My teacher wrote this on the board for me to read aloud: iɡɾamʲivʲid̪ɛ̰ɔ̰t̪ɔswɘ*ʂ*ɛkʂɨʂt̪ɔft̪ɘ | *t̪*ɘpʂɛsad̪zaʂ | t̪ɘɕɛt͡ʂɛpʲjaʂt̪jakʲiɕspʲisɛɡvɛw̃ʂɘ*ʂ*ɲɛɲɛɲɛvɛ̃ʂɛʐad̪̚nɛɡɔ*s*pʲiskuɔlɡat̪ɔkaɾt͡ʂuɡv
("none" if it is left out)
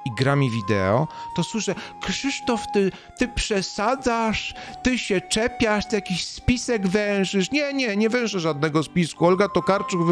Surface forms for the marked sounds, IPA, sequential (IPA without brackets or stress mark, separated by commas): ʂ, t̪, ʂ, s